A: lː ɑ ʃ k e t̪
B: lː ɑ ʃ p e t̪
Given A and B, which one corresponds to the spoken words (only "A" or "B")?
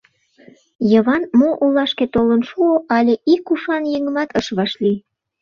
A